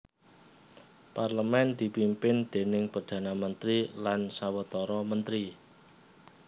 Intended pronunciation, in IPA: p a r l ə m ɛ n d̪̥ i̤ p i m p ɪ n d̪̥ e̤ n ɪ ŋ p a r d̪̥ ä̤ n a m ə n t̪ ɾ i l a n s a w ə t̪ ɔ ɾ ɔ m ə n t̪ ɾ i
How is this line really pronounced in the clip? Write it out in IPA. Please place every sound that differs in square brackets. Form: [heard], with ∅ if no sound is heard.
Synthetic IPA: p a r l ə m ɛ n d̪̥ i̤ p i m p ɪ n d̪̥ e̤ n ɪ ŋ p a r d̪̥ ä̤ n a m ə n t̪ ɾ i l a n s a w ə t̪ ɔ ɾ ɔ m ə n t̪ ɾ i